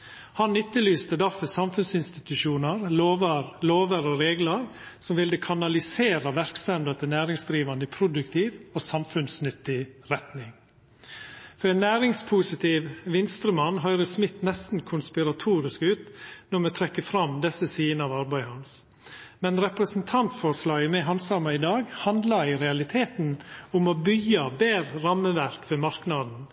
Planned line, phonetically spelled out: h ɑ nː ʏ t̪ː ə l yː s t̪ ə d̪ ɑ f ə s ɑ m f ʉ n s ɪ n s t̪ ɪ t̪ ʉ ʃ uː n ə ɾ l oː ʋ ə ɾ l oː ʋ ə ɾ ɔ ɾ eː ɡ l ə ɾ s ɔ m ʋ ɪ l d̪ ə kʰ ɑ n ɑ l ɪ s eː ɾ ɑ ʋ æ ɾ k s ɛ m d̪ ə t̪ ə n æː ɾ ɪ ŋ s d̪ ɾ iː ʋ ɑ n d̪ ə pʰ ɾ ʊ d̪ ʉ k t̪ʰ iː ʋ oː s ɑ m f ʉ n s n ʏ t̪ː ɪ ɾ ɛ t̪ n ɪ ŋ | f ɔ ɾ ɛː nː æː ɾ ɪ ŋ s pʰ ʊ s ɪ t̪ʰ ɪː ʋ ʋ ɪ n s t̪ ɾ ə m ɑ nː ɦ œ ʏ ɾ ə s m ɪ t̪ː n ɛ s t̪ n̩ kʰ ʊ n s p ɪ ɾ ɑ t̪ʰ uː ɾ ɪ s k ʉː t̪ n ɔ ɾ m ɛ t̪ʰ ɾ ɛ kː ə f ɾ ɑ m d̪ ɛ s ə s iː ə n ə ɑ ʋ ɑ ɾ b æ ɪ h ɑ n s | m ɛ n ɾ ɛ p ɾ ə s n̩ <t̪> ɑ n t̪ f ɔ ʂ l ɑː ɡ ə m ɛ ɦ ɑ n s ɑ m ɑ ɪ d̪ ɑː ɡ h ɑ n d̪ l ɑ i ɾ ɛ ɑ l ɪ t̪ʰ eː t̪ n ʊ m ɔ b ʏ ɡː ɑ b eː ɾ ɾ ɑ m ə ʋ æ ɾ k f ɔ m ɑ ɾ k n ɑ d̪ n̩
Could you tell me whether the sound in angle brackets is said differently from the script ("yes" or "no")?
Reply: yes